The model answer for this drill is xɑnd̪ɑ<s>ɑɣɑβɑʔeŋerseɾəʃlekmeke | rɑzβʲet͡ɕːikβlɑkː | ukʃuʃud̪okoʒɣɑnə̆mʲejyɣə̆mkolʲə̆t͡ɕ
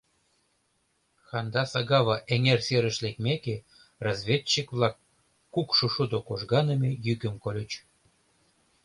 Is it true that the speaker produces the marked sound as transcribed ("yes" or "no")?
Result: yes